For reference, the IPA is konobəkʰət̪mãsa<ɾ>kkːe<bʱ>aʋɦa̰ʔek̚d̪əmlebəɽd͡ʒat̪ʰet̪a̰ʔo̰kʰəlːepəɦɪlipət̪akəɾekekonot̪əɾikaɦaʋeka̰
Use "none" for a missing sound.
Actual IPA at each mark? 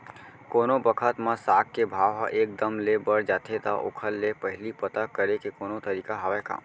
none, bʱ

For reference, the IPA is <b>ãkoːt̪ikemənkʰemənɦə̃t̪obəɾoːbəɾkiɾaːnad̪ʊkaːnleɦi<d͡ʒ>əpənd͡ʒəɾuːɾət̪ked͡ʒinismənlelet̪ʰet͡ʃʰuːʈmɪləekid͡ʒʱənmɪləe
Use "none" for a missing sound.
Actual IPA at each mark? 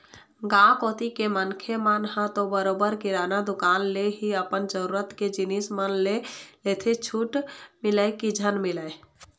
ɡ, none

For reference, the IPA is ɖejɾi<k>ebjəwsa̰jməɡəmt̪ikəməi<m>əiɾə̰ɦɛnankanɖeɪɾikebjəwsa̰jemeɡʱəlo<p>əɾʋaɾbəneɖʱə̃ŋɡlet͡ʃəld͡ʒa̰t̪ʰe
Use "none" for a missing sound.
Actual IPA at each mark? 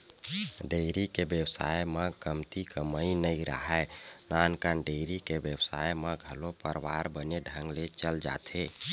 k, n, p

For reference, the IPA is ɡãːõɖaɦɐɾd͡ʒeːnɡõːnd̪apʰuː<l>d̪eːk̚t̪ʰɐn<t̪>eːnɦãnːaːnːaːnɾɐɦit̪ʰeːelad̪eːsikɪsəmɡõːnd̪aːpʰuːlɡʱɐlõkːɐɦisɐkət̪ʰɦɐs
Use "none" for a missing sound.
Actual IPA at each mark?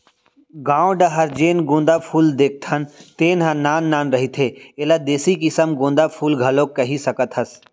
l, t̪

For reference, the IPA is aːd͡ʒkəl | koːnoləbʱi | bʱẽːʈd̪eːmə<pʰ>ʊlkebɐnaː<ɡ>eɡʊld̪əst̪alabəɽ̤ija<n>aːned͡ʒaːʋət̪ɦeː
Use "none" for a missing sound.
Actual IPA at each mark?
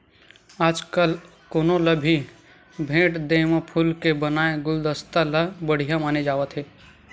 pʰ, none, m

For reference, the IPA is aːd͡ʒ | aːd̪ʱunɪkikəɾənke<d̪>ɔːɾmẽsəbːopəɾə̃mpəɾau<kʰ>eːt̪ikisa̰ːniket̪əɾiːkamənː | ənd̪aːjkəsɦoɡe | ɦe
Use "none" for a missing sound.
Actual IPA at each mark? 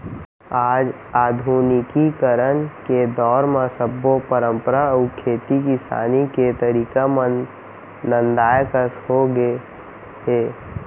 d̪, kʰ

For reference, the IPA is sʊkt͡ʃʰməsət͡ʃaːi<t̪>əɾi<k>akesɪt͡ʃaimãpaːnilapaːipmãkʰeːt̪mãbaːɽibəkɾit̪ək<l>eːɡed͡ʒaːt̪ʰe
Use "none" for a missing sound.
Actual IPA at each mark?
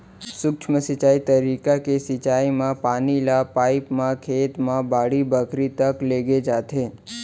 t̪, k, l

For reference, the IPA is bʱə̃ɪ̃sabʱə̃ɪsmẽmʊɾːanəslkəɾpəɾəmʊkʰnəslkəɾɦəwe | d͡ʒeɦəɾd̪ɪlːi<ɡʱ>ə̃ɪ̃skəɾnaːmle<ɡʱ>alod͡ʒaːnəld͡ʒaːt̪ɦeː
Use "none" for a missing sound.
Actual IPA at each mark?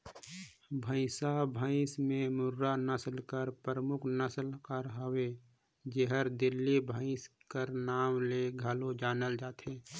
bʱ, ɡʱ

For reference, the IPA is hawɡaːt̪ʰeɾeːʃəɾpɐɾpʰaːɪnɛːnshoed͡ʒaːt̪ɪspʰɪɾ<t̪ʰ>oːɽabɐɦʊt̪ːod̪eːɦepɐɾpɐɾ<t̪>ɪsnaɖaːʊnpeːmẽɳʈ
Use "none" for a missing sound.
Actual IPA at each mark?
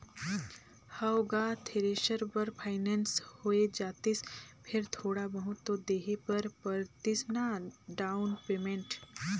t̪ʰ, t̪

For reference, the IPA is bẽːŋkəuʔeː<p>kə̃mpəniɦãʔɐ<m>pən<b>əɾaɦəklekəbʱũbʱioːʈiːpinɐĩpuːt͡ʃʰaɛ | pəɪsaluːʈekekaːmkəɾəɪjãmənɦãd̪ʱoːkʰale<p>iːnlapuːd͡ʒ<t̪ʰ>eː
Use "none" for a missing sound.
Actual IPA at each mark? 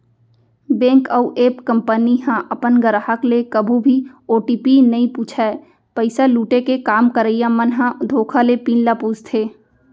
p, none, ɡ, p, t̪ʰ

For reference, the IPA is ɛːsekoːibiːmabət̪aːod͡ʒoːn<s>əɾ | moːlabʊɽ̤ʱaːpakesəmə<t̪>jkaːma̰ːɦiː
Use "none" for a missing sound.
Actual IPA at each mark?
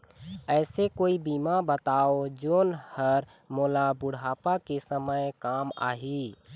h, none

